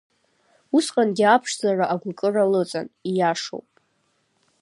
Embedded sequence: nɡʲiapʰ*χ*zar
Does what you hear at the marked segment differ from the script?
yes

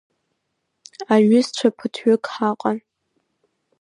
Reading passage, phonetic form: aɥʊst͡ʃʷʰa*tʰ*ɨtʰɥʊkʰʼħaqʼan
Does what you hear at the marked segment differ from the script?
yes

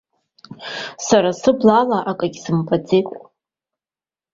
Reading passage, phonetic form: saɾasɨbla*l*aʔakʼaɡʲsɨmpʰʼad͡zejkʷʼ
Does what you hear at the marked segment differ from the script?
no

